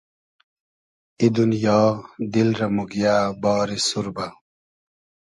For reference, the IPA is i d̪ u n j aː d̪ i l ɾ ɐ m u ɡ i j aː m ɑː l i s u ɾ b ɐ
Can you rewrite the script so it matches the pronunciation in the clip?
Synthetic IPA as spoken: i d̪ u n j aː d̪ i l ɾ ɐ m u ɡ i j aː b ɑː ɾ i s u ɾ b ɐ